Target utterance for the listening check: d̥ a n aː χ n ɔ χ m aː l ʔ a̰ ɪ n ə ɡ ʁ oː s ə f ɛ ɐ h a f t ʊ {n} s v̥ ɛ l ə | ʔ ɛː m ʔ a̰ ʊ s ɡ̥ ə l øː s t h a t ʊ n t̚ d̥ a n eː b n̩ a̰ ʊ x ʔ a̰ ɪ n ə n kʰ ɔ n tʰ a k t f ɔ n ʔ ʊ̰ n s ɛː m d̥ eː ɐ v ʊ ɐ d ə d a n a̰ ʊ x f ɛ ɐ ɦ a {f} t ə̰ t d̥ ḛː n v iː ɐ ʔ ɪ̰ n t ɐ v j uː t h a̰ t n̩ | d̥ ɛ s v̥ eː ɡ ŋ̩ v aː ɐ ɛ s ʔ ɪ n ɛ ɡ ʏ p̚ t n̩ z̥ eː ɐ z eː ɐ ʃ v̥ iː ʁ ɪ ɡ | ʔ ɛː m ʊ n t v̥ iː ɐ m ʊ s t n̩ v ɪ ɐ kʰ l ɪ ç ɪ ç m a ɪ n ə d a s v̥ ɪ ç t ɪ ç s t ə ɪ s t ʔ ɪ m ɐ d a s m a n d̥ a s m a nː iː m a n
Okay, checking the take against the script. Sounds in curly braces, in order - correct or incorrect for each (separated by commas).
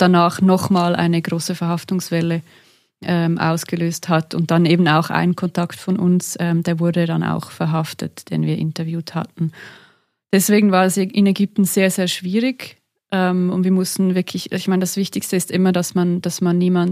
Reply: incorrect, correct